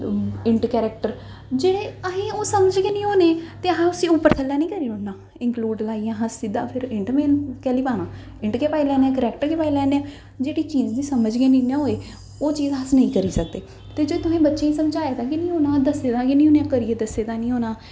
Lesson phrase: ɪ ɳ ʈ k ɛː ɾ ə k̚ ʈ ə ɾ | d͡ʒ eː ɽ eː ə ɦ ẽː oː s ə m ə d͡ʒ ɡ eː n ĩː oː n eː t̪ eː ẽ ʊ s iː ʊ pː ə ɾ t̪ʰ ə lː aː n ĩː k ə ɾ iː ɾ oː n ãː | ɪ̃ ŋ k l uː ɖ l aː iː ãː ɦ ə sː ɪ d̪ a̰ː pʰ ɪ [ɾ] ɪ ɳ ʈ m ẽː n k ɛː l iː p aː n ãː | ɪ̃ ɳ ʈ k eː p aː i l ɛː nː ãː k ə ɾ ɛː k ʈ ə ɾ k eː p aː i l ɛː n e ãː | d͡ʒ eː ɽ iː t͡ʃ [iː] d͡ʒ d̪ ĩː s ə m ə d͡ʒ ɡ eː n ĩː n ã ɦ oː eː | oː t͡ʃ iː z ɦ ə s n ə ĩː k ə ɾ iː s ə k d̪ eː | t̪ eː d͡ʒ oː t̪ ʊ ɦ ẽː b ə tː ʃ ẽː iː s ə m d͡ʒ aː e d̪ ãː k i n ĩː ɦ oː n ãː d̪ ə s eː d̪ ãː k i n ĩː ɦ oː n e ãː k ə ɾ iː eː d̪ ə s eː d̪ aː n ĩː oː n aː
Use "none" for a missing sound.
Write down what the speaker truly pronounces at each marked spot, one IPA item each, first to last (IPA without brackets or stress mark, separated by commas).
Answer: ɾ, iː